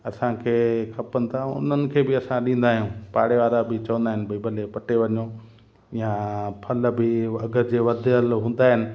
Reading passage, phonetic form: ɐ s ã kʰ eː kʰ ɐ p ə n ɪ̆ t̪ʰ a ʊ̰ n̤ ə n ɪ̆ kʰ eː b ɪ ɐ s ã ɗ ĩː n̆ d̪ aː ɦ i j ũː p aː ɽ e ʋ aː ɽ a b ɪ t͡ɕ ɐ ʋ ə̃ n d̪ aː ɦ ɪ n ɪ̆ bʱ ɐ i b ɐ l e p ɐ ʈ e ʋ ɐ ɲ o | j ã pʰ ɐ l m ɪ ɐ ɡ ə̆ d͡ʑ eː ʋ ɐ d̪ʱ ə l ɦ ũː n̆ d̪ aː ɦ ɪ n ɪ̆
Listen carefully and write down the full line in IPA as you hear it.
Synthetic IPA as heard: ɐ s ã kʰ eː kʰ ɐ p ə n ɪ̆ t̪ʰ a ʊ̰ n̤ ə n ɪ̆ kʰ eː b ɪ ɐ s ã ɗ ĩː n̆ d̪ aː ɦ i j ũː p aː ɽ e ʋ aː ɾ a b ɪ t͡ɕ ɐ ʋ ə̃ n d̪ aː ɦ ɪ n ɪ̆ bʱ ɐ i b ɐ l e p ɐ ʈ e ʋ ɐ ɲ o | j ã pʰ ɐ l b ɪ ɐ ɡ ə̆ d͡ʑ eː ʋ ɐ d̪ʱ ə l ɦ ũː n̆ d̪ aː ɦ ɪ n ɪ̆